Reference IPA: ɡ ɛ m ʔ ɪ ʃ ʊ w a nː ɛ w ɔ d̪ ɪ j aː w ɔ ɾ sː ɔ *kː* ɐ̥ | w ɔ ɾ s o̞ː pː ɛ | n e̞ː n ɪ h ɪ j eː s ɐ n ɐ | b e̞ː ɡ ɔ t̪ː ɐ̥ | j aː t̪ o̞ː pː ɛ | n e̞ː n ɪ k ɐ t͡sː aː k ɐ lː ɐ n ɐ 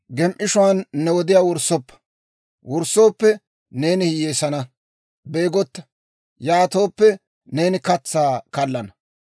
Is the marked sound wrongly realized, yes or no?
yes